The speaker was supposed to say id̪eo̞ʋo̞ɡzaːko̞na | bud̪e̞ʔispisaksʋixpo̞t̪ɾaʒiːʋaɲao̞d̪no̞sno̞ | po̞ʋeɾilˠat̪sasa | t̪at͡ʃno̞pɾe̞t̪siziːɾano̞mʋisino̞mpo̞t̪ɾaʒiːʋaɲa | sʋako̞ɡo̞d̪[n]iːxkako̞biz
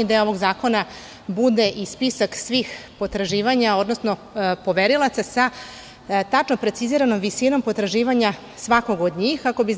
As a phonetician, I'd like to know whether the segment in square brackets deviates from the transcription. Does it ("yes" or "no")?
yes